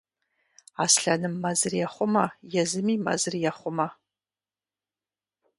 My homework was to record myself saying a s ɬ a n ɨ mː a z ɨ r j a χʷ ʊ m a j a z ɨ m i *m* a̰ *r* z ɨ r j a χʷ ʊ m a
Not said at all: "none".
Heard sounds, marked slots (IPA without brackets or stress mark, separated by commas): m, none